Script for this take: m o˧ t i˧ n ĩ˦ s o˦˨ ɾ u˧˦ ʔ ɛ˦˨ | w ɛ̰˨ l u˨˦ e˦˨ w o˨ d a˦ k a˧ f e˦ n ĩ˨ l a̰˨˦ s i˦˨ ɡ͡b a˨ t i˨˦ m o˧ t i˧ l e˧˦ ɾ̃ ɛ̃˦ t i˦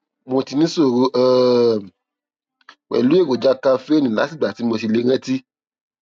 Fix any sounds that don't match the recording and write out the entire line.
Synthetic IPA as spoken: m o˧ t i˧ n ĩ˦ s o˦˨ ɾ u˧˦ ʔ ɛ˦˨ | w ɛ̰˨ l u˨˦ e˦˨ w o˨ d͡ʒ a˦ k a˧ f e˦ n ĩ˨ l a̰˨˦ s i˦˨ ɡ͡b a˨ t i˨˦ m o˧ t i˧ l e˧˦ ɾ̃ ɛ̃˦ t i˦